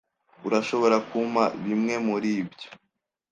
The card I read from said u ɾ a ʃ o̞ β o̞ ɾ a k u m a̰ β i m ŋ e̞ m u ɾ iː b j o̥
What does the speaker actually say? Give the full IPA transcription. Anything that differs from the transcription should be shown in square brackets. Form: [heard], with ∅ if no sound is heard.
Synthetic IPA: u ɾ a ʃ o̞ β o̞ ɾ a k u m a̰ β i m ŋ e̞ m u ɾ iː b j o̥